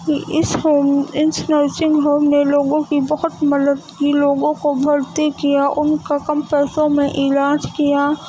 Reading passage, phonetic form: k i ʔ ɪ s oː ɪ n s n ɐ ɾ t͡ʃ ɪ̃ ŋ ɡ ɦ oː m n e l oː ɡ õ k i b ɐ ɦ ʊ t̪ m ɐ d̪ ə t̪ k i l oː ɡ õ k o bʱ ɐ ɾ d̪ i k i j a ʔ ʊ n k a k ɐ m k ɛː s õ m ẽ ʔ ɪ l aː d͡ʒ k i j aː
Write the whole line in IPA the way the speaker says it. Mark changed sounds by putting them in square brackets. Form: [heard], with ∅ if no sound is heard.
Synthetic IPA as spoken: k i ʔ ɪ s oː ɪ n s n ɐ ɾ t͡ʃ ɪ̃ ŋ ɡ ɦ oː m n e l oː ɡ õ k i b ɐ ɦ ʊ t̪ m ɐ d̪ ə [d̪] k i l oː ɡ õ k o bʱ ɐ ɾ [t̪] i k i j a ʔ ʊ n k a k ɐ m [p] ɛː s õ m ẽ ʔ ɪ l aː d͡ʒ k i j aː

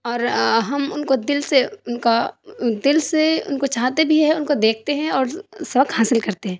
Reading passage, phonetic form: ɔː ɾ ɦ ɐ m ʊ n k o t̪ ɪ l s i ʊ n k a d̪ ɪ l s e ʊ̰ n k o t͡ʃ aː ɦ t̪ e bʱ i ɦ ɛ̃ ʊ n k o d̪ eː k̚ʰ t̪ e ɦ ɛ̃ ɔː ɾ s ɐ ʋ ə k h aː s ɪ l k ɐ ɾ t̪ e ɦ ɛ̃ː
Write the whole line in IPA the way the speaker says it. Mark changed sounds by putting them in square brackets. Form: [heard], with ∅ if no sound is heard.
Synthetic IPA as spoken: ɔː ɾ ɦ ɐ m ʊ n k o [d̪] ɪ l s [e] ʊ n k a d̪ ɪ l s e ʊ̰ n k o t͡ʃ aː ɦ t̪ e bʱ i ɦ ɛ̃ ʊ n k o d̪ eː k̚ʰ t̪ e ɦ ɛ̃ ɔː ɾ s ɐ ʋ ə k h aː s ɪ l k ɐ ɾ t̪ e ɦ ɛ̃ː

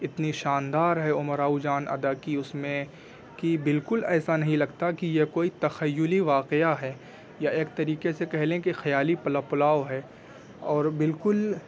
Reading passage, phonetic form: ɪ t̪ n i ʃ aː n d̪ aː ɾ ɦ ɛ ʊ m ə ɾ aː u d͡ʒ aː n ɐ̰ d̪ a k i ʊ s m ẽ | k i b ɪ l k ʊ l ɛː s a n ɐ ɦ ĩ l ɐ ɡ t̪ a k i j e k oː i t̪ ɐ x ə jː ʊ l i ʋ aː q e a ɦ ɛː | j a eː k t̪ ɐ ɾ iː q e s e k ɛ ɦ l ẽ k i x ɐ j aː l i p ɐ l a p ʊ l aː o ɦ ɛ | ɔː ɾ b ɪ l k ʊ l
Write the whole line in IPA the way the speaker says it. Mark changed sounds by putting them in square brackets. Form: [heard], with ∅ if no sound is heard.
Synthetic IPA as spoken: ɪ t̪ n i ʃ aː n d̪ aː ɾ ɦ ɛ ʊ m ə ɾ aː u d͡ʒ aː n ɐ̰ d̪ a k i ʊ s m ẽ | k i b ɪ l k ʊ l ɛː s a n ɐ ɦ ĩ l ɐ ɡ t̪ a k i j e k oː i t̪ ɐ x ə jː ʊ l i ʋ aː q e a ɦ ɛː | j a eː k t̪ ɐ ɾ iː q e s e k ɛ ɦ l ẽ k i x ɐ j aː l i p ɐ l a p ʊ l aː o ɦ ɛ | ɔː ɾ b ɪ l k ʊ l

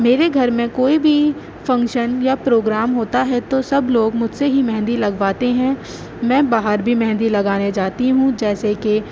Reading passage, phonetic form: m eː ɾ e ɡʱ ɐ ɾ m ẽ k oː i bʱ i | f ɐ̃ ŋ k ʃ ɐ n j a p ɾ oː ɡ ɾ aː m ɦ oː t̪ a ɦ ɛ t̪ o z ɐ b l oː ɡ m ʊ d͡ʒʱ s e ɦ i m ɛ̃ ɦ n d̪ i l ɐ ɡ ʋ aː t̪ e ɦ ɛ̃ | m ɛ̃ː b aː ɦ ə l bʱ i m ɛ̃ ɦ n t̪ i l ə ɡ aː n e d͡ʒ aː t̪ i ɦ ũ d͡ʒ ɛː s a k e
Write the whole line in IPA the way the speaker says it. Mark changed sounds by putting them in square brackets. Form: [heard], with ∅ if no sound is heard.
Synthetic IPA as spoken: m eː ɾ e ɡʱ ɐ ɾ m ẽ k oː i bʱ i | f ɐ̃ ŋ k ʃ [ə] n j a p ɾ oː ɡ ɾ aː m ɦ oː t̪ a ɦ ɛ t̪ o [s] ɐ b l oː ɡ m ʊ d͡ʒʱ s e ɦ i m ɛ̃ ɦ n d̪ i l ɐ ɡ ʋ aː t̪ e ɦ ɛ̃ | m ɛ̃ː b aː ɦ ə [ɾ] bʱ i m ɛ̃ ɦ n [d̪] i l [ɐ] ɡ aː n e d͡ʒ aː t̪ i ɦ ũ d͡ʒ ɛː s [e] k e

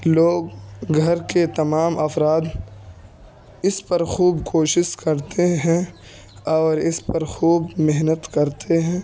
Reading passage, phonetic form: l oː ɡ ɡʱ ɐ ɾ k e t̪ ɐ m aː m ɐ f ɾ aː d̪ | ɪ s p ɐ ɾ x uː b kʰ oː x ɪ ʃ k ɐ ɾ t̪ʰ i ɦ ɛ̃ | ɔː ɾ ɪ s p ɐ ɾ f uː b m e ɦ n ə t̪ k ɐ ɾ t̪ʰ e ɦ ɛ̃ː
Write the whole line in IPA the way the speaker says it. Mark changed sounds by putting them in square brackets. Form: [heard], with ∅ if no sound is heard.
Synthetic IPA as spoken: l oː ɡ ɡʱ ɐ ɾ k e t̪ ɐ m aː m ɐ f ɾ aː d̪ | ɪ s p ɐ ɾ x uː b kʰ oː [ʃ] ɪ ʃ k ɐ ɾ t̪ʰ [e] ɦ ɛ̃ | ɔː ɾ ɪ s p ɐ ɾ [x] uː b m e ɦ n ə t̪ k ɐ ɾ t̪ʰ e ɦ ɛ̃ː

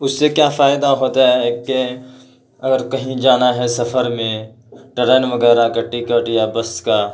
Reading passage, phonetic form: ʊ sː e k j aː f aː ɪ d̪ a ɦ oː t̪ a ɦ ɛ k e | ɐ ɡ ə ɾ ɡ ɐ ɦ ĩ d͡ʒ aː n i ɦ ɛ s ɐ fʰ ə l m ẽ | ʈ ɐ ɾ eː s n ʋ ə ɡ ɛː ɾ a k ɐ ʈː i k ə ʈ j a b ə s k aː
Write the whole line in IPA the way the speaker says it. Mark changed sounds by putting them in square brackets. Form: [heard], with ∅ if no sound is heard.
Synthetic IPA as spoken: ʊ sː e k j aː f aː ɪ d̪ a ɦ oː t̪ a ɦ ɛ k e | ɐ ɡ ə ɾ [k] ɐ ɦ ĩ d͡ʒ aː n [a] ɦ ɛ s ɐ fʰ ə [ɾ] m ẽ | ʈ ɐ ɾ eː [∅] n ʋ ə ɡ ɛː ɾ a k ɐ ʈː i k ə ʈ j a b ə s k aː

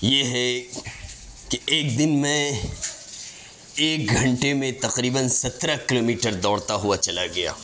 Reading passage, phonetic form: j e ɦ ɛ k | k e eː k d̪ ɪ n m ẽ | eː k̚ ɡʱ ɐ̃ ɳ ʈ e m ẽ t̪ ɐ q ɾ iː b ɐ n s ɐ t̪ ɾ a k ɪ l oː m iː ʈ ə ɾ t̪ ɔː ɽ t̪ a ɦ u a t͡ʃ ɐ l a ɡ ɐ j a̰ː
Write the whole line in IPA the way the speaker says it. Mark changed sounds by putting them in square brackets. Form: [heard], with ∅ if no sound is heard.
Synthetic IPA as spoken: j e ɦ ɛ [∅] | k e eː k d̪ ɪ n m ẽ | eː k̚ ɡʱ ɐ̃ ɳ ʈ e m ẽ t̪ ɐ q ɾ iː b [ə] n s ɐ t̪ ɾ a k ɪ l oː m iː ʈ ə ɾ [d̪] ɔː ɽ t̪ a ɦ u a t͡ʃ ɐ l a ɡ ɐ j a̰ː

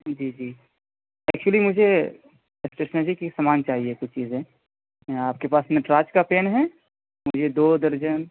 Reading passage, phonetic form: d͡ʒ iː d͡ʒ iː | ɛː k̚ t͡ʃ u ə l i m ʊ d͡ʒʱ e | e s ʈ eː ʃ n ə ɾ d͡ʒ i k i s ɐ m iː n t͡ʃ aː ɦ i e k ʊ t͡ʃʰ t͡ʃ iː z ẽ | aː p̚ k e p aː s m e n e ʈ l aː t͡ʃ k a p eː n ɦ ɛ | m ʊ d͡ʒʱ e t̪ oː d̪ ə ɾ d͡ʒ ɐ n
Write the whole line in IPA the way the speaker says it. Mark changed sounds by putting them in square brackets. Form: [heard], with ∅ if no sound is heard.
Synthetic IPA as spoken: d͡ʒ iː d͡ʒ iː | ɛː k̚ t͡ʃ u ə l i m ʊ d͡ʒʱ e | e s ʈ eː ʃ n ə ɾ d͡ʒ i k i s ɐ m [aː] n t͡ʃ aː ɦ i e k ʊ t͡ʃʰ t͡ʃ iː z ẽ | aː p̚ k e p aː s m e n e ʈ [ɾ] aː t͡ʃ k a p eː n ɦ ɛ | m ʊ d͡ʒʱ e [d̪] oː d̪ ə ɾ d͡ʒ [ə] n

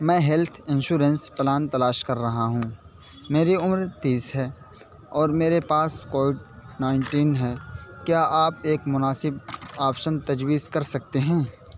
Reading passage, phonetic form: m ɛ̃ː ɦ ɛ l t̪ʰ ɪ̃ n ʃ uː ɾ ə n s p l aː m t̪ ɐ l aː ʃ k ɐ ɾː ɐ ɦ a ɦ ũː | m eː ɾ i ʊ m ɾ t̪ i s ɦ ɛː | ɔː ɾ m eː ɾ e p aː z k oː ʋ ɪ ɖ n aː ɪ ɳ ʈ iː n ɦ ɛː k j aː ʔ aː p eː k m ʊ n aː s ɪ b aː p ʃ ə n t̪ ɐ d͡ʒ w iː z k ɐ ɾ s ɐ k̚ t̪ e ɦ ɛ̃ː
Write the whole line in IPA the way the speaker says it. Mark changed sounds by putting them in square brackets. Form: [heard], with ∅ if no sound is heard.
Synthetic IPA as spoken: m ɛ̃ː ɦ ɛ l t̪ʰ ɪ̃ n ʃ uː ɾ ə n s p l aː [n] t̪ ɐ l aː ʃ k ɐ ɾː ɐ ɦ a ɦ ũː | m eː ɾ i ʊ m ɾ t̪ [iː] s ɦ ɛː | ɔː ɾ m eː ɾ e p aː [s] k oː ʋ ɪ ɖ n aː ɪ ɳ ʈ iː n ɦ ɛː k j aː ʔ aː p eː k m ʊ n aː s ɪ b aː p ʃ ə n t̪ ɐ d͡ʒ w iː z k ɐ ɾ s ɐ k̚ t̪ e ɦ ɛ̃ː

